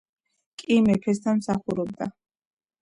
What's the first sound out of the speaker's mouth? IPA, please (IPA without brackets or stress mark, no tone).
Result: kʼ